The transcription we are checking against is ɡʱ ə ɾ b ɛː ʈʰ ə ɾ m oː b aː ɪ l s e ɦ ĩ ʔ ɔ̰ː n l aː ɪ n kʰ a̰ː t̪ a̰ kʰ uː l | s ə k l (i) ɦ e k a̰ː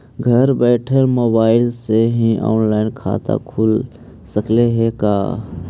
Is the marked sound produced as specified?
no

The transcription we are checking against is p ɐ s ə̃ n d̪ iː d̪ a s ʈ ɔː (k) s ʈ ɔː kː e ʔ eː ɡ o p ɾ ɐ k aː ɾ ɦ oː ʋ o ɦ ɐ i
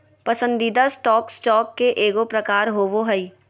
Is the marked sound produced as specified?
yes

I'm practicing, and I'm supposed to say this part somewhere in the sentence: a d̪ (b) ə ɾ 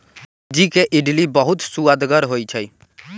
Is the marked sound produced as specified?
no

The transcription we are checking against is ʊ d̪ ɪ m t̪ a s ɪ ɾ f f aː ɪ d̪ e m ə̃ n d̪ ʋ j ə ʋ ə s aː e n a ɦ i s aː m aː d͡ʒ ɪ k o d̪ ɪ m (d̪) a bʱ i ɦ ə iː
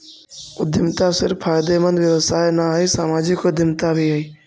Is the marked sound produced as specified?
no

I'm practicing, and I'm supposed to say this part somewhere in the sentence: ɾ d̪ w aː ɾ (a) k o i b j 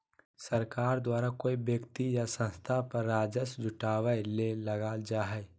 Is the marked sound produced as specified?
yes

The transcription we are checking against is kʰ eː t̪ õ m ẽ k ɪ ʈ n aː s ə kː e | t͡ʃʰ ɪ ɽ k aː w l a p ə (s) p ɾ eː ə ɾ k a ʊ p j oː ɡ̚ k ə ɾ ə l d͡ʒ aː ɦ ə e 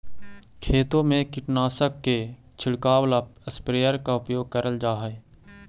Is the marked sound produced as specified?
yes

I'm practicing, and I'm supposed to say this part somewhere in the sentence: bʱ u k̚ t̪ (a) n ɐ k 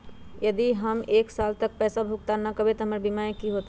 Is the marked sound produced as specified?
yes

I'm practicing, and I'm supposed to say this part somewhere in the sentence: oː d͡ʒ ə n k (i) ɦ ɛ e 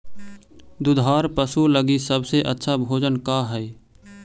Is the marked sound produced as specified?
no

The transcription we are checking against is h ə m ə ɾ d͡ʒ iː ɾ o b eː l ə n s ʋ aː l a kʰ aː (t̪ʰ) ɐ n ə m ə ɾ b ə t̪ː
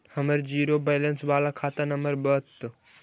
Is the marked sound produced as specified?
no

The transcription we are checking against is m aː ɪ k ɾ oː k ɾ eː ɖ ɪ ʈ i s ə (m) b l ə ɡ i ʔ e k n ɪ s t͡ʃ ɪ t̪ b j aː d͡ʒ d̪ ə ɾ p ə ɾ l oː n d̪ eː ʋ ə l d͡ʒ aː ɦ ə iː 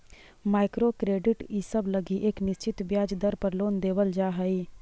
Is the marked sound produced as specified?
no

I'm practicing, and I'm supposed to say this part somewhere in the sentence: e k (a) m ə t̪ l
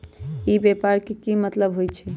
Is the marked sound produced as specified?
no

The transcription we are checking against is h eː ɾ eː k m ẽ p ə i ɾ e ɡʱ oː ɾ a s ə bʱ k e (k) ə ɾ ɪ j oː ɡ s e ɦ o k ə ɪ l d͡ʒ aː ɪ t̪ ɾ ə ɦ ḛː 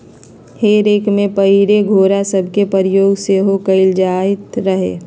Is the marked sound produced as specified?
no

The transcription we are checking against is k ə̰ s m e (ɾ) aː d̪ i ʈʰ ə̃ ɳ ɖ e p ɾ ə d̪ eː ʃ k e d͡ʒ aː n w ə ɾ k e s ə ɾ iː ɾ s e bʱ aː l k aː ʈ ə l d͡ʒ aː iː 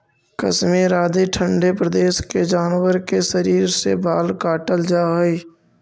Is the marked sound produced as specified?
yes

